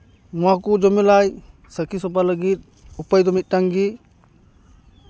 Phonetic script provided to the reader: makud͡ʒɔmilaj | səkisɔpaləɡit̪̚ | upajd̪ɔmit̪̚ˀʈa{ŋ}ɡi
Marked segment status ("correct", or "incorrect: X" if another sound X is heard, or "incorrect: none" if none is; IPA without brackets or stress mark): correct